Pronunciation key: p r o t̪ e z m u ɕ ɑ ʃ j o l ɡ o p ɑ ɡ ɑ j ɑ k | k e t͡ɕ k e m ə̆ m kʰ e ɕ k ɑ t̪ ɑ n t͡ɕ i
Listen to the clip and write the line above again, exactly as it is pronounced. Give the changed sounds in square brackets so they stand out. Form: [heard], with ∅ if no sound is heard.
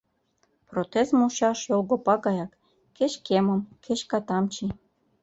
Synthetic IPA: p r o t̪ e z m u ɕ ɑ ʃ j o l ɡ o p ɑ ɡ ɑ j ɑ k | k e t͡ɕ k e m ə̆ m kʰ e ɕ k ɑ t̪ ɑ [m] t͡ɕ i

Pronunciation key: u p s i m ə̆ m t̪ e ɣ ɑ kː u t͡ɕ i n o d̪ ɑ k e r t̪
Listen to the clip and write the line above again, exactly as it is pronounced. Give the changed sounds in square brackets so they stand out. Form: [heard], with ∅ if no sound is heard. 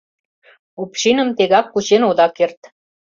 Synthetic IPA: u p [ʃ] i [n] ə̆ m t̪ e ɣ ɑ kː u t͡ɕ [e] n o d̪ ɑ k e r t̪

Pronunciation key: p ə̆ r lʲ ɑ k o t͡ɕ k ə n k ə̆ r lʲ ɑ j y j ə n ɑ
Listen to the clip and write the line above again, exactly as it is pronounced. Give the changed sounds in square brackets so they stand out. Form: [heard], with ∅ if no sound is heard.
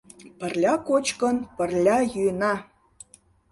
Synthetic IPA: p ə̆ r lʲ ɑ k o t͡ɕ k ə n [p] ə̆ r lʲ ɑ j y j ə n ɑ

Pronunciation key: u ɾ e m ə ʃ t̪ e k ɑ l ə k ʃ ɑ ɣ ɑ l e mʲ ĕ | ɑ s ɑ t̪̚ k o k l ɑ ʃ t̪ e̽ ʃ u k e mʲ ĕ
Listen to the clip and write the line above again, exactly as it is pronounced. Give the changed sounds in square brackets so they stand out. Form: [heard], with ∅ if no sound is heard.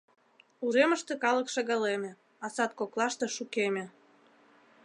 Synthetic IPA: u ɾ e m ə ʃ t̪ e k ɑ l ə k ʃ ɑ ɣ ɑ l e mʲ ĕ | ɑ s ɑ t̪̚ k o k l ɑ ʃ t̪ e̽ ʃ u k e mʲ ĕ

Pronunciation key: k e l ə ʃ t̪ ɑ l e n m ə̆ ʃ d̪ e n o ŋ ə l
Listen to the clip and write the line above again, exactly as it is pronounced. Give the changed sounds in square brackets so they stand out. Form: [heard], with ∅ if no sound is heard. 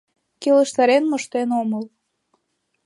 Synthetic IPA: k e l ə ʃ t̪ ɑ [ɾ] e n m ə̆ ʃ [t̪] e n o [m] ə l

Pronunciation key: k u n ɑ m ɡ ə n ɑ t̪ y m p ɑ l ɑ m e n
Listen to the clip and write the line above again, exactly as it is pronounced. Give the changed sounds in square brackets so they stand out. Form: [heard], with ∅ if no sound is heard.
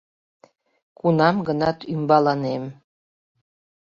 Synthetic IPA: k u n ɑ m ɡ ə n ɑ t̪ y m [b] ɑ l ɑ [n] e [m]

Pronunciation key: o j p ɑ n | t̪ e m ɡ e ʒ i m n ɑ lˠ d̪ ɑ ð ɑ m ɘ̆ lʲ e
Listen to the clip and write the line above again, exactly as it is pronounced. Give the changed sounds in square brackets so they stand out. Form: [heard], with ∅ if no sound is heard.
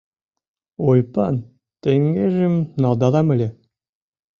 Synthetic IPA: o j p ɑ n | t̪ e [ŋ] ɡ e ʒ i m n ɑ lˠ d̪ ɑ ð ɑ m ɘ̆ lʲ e

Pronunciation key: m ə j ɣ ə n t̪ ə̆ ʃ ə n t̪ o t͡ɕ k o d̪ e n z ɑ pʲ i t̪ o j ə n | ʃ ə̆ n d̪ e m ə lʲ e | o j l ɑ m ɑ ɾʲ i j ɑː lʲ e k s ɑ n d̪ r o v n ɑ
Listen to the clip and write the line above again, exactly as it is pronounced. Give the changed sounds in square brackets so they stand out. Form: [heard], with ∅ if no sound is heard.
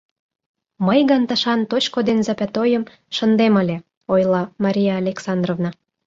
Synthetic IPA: m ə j ɣ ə n t̪ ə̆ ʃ [ɑ] n t̪ o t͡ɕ k o d̪ e n z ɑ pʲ [æ] t̪ o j ə [m] | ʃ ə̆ n d̪ e m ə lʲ e | o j l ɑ m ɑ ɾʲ i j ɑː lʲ e k s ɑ n d̪ r o v n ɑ

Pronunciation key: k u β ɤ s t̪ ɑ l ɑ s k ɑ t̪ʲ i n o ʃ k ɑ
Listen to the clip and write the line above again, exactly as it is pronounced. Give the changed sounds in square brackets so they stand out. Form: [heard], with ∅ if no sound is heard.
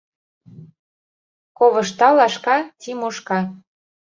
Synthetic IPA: k [o] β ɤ [ʃ] t̪ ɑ l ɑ [ʃ] k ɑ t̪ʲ i [m] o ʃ k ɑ

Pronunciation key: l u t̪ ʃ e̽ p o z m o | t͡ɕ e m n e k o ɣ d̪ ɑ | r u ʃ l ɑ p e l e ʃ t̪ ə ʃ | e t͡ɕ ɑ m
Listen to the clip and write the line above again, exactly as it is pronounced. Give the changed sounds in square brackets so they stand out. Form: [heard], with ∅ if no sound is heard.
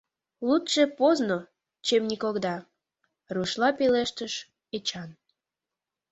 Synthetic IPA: l u t̪ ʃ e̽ p o z [n] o | t͡ɕ e m n [i] k o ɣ d̪ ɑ | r u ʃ l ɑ p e l e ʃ t̪ ə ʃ | e t͡ɕ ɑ [n]

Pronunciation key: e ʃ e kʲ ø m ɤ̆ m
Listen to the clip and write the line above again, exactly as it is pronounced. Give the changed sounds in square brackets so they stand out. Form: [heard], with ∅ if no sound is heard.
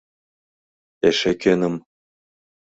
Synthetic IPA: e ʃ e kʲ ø [n] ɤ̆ m

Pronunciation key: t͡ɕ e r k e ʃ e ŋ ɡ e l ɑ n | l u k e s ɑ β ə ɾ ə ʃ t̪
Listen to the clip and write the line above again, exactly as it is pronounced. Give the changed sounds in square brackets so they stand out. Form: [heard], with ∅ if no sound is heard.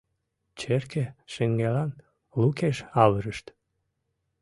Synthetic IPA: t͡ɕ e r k e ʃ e ŋ ɡ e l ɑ n | l u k e [ʃ] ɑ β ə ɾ ə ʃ t̪

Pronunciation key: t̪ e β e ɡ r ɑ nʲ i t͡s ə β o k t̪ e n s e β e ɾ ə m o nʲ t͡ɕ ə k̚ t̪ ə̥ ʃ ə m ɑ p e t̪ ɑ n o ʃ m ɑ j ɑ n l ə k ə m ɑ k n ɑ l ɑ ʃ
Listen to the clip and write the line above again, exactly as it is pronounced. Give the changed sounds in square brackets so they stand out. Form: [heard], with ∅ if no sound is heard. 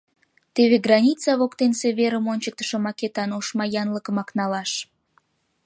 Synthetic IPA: t̪ e β e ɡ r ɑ nʲ i t͡s [ɑ] β o k t̪ e n s e β e ɾ ə m o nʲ t͡ɕ ə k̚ t̪ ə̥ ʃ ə m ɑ [k] e t̪ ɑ n o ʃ m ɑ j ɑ n l ə k ə m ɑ k n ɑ l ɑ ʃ

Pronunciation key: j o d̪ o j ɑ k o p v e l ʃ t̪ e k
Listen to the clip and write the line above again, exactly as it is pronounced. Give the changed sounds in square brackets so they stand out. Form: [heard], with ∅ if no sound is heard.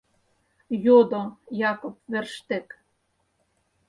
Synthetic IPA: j o d̪ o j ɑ k o p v e [r] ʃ t̪ e k

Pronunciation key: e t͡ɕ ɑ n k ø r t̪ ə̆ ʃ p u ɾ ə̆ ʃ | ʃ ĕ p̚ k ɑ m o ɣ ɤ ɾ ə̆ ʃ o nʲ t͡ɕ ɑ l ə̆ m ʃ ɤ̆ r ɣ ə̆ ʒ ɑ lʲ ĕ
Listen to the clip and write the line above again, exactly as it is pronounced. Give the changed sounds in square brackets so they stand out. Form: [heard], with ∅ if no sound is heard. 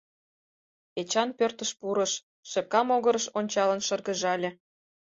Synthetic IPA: e t͡ɕ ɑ n [p] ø r t̪ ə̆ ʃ p u ɾ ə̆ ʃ | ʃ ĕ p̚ k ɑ m o ɣ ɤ ɾ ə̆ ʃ o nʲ t͡ɕ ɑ l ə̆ [n] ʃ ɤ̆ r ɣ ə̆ ʒ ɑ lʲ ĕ

